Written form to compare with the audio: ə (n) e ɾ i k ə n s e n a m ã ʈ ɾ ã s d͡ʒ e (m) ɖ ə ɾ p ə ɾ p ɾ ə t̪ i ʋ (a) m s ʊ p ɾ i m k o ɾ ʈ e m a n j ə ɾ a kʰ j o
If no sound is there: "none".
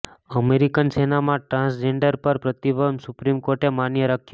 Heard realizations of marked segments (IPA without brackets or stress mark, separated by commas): m, ɳ, ə